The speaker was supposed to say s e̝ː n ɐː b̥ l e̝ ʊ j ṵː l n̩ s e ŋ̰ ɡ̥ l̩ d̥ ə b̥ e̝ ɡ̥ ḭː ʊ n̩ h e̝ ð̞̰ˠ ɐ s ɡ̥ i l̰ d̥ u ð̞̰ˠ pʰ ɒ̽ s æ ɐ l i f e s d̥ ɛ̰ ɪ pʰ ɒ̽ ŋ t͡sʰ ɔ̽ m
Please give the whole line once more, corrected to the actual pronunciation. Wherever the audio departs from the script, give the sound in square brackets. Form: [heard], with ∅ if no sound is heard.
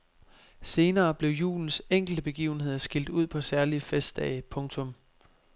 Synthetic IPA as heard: s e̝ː n ɐː b̥ l e̝ ʊ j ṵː l n̩ s e ŋ̰ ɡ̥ l̩ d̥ ə b̥ e̝ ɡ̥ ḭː ʊ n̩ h e̝ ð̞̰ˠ ɐ s ɡ̥ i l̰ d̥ u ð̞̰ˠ pʰ ɒ̽ s æ ɐ l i f e s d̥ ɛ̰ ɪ pʰ [ɔ̽] ŋ t͡sʰ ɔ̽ m